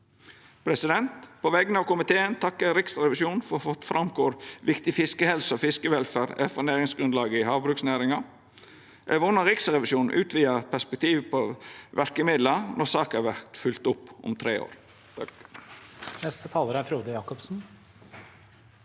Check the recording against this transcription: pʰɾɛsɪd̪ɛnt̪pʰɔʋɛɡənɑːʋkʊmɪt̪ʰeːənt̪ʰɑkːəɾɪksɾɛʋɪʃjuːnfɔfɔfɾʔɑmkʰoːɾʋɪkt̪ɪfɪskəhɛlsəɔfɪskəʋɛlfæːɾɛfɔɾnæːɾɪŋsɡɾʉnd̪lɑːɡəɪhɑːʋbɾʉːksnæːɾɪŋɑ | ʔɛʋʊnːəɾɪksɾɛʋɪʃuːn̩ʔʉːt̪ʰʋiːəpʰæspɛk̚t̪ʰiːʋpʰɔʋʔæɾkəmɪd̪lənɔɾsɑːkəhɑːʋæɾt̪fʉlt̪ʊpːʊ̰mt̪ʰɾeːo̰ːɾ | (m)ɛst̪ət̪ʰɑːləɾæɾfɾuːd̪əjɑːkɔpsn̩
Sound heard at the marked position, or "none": n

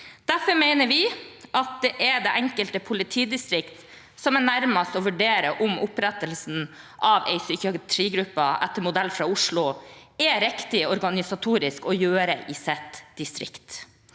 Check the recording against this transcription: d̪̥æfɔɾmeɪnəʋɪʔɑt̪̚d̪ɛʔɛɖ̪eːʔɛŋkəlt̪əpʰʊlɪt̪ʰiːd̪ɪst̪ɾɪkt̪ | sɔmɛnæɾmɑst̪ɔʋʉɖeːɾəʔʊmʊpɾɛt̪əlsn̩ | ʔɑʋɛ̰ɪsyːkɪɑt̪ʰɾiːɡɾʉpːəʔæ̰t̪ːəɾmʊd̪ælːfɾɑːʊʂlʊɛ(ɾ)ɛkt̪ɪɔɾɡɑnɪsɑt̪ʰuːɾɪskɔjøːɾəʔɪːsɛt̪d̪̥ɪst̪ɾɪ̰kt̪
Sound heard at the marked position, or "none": ɾ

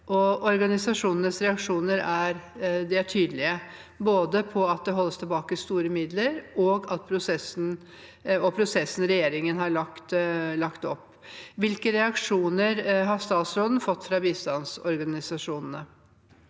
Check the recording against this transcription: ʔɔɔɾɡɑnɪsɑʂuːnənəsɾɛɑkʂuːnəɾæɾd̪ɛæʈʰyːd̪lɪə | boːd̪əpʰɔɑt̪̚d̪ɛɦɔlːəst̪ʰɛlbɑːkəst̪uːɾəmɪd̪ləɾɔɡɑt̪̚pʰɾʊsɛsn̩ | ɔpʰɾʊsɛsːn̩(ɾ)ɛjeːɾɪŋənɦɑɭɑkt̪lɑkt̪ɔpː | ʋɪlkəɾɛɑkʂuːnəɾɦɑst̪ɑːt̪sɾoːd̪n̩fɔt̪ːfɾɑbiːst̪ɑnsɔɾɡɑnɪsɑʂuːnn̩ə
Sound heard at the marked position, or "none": ɾ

